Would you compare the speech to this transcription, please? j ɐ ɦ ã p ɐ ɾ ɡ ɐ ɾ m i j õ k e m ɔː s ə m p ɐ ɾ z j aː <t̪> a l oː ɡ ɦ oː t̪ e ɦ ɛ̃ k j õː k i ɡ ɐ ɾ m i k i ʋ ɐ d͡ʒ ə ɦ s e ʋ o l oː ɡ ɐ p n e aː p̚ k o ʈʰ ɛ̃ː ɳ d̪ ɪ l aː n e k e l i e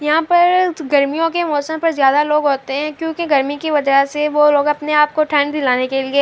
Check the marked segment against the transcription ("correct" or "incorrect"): incorrect